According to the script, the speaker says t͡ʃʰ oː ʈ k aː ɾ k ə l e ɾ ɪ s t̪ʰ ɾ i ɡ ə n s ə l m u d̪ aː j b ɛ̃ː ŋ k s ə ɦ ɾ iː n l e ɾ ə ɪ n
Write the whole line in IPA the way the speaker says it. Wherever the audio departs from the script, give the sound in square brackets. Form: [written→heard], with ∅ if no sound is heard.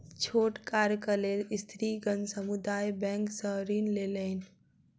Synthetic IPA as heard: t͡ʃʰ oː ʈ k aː ɾ k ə l e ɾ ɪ s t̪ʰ ɾ i ɡ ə n s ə [l→∅] m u d̪ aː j b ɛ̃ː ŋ k s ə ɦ ɾ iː n l e [ɾ→l] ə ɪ n